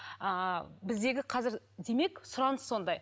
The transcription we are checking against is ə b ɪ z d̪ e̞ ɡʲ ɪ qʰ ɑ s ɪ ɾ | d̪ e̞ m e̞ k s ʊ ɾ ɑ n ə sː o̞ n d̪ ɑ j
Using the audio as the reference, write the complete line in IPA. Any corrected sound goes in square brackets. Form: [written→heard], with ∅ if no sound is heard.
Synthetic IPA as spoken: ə b ɪ z d̪ e̞ ɡʲ ɪ qʰ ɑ [s→z] ɪ ɾ | d̪ e̞ m e̞ k s ʊ ɾ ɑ n ə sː o̞ n d̪ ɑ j

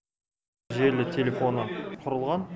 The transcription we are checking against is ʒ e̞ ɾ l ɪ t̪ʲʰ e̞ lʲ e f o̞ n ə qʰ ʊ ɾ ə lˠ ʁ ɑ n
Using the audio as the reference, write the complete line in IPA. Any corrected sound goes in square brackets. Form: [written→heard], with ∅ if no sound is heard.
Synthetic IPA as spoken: ʒ e̞ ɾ l ɪ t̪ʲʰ e̞ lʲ e f o̞ n ə qʰ ʊ ɾ ə lˠ ʁ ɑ n

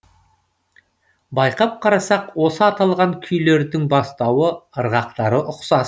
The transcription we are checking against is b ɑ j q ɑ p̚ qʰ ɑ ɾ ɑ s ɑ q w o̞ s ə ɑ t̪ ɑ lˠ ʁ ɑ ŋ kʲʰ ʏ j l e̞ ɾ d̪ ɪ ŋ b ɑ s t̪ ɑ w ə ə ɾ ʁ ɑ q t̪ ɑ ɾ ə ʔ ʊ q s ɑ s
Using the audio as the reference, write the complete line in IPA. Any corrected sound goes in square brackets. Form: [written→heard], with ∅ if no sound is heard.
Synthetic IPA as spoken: b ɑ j q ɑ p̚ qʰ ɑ ɾ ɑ s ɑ q w o̞ s ə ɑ t̪ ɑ lˠ ʁ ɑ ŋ kʲʰ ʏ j l e̞ ɾ d̪ ɪ ŋ b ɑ s t̪ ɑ w ə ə ɾ ʁ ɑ q t̪ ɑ ɾ ə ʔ ʊ q s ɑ s

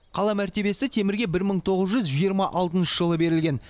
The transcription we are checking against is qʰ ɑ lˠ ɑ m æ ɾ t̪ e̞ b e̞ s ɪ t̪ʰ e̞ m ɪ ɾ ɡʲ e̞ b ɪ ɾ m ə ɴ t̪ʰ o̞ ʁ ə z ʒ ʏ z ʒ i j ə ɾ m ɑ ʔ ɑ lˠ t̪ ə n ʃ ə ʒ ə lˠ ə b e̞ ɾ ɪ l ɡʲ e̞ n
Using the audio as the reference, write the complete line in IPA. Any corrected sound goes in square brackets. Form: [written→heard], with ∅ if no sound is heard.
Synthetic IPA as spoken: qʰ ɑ lˠ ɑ m æ ɾ t̪ e̞ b e̞ s ɪ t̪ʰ e̞ m ɪ ɾ ɡʲ e̞ b ɪ ɾ m ə ɴ t̪ʰ o̞ ʁ ə z ʒ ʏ z ʒ i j ə ɾ m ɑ ʔ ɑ lˠ t̪ ə n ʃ ə ʒ ə lˠ ə b e̞ ɾ ɪ l ɡʲ e̞ n

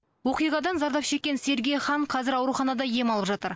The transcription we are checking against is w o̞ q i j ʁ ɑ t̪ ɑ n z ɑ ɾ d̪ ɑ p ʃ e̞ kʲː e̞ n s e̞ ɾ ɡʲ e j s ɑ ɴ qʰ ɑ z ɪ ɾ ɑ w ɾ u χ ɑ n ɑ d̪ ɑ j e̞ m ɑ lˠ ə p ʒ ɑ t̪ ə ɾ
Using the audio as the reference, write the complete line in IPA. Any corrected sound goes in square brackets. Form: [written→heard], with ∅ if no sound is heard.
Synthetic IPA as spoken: w o̞ q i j ʁ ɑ [t̪→d̪] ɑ n z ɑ ɾ d̪ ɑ p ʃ e̞ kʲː e̞ n s e̞ ɾ ɡʲ e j [s→χ] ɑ ɴ qʰ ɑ z ɪ ɾ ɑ w ɾ u χ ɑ n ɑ d̪ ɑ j e̞ m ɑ lˠ ə p ʒ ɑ t̪ ə ɾ

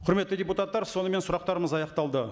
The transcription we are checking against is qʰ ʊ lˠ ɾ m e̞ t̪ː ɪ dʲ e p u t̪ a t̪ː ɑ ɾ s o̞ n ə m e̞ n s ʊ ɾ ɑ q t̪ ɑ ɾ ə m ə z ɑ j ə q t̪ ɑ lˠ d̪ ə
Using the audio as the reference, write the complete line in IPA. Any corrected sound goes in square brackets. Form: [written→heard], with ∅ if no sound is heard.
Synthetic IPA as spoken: qʰ ʊ [lˠ→∅] ɾ m e̞ t̪ː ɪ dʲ e p u t̪ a t̪ː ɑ ɾ s o̞ n ə m e̞ n s ʊ ɾ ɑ q t̪ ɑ ɾ ə m ə z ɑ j [ə→ɑ] q t̪ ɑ lˠ d̪ ə

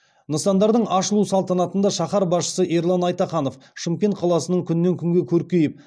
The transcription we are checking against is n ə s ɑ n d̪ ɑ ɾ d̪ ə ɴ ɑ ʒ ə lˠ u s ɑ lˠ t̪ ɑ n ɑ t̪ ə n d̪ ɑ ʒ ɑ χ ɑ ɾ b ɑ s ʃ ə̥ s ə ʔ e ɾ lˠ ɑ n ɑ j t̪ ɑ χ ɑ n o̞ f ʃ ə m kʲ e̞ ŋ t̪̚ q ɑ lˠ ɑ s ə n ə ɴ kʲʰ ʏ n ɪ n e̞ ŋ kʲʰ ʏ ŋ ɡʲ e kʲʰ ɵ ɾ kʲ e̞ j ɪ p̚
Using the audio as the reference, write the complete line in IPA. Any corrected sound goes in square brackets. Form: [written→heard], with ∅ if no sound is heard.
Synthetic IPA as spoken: n ə s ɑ n d̪ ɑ ɾ d̪ ə ɴ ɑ [ʒ→ʃ] ə lˠ u s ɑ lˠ t̪ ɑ n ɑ t̪ ə n d̪ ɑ [ʒ→ʃ] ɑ χ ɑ ɾ b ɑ s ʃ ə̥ s ə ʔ e ɾ lˠ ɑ n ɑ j t̪ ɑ χ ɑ n o̞ f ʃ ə m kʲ e̞ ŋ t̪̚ [q→qʰ] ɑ lˠ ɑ s ə n ə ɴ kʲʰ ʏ n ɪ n e̞ ŋ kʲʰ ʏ ŋ ɡʲ e kʲʰ ɵ ɾ kʲ e̞ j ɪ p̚

